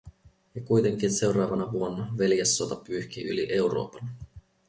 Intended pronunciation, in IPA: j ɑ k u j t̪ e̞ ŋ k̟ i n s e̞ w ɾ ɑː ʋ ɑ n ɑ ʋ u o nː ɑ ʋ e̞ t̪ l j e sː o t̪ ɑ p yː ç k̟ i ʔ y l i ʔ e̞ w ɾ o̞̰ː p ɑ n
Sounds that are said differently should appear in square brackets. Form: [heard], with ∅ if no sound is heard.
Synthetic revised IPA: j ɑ k u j t̪ e̞ ŋ k̟ i n s e̞ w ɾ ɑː ʋ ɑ n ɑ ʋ u o nː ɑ ʋ e̞ [∅] l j e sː o t̪ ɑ p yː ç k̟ i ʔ y l i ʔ e̞ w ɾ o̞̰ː p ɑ n